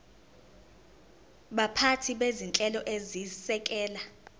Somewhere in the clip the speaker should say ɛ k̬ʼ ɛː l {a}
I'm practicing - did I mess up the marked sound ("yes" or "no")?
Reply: no